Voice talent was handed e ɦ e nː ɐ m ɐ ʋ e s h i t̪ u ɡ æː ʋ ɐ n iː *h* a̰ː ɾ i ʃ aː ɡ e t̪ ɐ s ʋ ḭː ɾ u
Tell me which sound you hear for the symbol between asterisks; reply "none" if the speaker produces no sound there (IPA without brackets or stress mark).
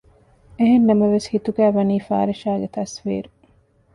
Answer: f